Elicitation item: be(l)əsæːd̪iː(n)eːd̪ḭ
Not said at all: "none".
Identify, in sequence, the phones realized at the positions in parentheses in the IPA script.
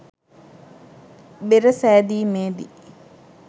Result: ɾ, m

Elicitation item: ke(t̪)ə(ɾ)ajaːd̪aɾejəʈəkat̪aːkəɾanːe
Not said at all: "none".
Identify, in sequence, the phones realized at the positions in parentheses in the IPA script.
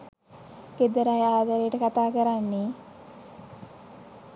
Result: d̪, ɾ

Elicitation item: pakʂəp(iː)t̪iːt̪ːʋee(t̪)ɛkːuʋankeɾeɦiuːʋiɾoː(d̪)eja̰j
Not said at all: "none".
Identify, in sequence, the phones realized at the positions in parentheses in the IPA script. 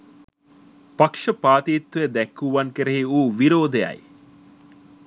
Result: aː, d̪, d̪

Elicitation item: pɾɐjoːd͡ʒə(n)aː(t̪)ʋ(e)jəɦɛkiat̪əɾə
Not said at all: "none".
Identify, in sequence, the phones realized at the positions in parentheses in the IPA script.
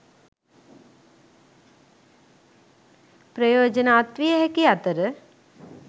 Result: n, t̪, i

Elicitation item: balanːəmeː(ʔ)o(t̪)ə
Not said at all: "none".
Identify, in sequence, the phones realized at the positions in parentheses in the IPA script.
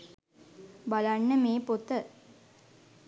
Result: p, t̪

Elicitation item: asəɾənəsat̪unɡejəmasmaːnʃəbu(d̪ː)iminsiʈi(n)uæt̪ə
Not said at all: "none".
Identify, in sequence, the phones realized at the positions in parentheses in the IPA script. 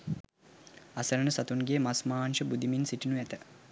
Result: d̪, n

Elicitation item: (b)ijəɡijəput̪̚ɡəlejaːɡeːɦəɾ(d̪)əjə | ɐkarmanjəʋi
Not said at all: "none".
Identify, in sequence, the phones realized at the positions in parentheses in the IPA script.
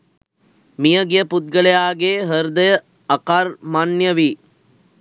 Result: m, d̪

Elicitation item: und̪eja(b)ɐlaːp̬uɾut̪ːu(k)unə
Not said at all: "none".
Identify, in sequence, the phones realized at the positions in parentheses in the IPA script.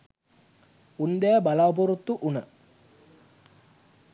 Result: b, ʔ

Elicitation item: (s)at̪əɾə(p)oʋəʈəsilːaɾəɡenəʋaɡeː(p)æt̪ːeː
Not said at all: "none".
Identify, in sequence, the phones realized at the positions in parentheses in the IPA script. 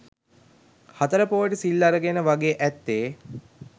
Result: h, p, ʔ

